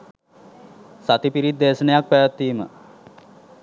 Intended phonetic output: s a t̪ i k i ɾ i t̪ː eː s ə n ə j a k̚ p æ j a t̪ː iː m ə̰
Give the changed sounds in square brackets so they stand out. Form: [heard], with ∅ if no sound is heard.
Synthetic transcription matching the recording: s a t̪ i [p] i ɾ i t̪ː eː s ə n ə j a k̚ p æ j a t̪ː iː m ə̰